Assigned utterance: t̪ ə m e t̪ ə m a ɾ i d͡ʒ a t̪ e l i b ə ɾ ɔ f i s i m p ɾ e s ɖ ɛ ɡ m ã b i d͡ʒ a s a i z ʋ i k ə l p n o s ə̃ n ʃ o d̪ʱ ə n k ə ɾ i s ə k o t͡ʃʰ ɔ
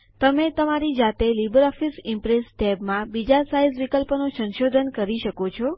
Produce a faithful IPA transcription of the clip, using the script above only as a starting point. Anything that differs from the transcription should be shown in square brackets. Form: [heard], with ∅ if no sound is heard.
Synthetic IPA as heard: t̪ ə m e t̪ ə m a ɾ i d͡ʒ a t̪ e l i b ə ɾ ɔ f i s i m p ɾ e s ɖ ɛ [b] m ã b i d͡ʒ a s a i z ʋ i k ə l p n o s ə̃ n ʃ o d̪ʱ ə n k ə ɾ i [ʃ] ə k o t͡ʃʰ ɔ

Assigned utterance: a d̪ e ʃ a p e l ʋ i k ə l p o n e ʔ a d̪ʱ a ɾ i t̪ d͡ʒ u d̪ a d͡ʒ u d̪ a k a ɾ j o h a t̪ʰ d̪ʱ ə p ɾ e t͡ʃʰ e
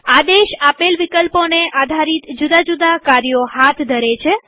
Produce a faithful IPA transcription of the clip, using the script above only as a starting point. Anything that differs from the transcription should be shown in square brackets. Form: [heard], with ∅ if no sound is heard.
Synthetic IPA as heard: a d̪ e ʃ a p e l ʋ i k ə l p o n e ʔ a d̪ʱ a ɾ i t̪ d͡ʒ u d̪ a d͡ʒ u d̪ a k a ɾ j o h a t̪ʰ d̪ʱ ə [∅] ɾ e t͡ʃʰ e

